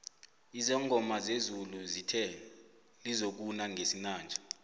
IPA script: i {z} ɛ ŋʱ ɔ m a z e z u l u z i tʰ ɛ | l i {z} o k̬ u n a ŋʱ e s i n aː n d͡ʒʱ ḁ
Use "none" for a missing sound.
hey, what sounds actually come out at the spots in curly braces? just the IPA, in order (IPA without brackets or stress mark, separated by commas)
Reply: z, z